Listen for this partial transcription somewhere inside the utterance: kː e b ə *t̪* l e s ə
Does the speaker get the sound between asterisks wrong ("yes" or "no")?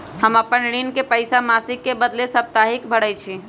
yes